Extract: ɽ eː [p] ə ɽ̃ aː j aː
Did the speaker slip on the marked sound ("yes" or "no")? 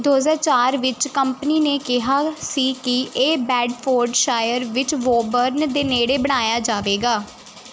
yes